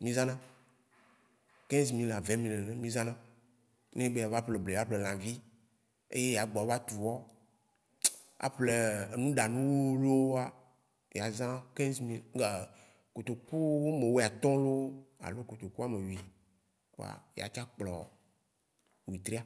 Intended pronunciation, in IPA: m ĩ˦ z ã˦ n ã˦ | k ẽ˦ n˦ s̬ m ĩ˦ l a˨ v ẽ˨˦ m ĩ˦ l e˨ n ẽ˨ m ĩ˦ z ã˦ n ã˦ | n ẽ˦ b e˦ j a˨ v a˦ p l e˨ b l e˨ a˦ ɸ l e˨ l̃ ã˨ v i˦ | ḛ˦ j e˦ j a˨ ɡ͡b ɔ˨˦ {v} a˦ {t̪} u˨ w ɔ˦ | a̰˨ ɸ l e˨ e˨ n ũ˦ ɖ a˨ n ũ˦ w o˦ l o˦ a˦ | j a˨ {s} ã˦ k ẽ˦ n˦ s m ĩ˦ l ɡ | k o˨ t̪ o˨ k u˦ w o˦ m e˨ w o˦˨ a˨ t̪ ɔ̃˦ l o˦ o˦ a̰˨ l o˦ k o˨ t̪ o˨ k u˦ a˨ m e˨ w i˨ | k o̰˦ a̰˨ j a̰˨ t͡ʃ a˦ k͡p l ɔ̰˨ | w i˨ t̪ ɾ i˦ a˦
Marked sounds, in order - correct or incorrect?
correct, correct, incorrect

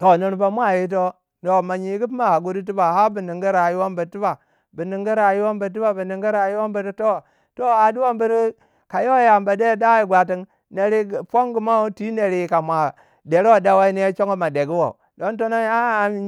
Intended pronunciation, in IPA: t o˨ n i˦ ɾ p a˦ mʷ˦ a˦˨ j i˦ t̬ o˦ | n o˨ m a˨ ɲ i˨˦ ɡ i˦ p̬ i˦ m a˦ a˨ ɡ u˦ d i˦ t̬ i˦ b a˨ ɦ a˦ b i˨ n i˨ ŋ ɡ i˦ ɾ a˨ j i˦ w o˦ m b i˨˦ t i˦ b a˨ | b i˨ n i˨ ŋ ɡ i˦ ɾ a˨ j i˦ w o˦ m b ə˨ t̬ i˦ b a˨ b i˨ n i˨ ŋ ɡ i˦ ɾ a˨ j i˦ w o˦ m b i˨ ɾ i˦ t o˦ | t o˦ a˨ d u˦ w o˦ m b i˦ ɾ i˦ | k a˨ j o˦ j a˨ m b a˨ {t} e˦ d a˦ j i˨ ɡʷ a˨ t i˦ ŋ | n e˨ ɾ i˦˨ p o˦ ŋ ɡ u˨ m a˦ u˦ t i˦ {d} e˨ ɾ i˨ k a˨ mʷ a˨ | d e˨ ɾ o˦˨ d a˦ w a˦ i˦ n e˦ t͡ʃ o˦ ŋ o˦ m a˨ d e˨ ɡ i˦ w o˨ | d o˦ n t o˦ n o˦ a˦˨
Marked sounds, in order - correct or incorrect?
incorrect, incorrect

